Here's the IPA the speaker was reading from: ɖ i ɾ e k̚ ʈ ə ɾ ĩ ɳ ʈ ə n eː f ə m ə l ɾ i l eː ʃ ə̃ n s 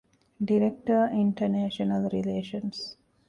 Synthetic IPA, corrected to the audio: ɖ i ɾ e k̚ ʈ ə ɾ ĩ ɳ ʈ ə n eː ʃ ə n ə l ɾ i l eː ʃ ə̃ n s